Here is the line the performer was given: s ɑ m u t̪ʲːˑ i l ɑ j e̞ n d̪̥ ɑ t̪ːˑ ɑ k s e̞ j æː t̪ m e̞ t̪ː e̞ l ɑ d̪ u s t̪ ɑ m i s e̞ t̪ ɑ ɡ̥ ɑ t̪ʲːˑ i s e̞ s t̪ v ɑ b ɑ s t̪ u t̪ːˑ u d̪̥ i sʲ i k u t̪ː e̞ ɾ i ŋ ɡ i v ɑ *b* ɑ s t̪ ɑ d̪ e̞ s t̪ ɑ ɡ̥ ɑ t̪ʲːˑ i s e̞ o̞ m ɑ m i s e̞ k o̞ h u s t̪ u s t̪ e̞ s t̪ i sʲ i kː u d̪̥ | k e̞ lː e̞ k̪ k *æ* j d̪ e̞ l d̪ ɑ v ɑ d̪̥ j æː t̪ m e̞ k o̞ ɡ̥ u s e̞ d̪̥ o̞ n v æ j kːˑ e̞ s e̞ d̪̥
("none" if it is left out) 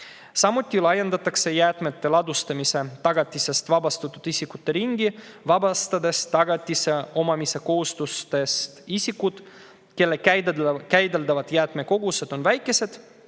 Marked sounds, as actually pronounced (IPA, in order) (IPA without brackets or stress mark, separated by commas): b, æ